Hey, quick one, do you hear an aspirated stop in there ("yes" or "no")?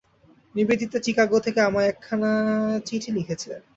yes